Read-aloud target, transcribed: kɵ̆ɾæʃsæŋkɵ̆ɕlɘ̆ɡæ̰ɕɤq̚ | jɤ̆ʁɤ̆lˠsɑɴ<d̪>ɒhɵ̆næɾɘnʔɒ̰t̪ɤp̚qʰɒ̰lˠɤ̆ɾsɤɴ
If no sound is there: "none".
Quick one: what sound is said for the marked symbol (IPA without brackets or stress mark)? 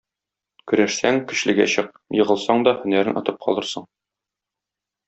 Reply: d̪